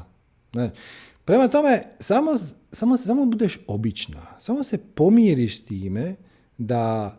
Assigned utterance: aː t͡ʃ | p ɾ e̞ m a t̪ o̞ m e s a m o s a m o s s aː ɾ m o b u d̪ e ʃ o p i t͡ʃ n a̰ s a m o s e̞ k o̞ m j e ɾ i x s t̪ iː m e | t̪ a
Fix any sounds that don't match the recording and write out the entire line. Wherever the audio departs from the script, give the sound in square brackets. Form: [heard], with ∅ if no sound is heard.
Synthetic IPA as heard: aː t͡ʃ | p ɾ e̞ m a t̪ o̞ m e s a m o s a m o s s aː [∅] m o b u d̪ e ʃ o [b] i t͡ʃ n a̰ s a m o s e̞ [p] o̞ m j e ɾ i [ʃ] s t̪ iː m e | [d̪] a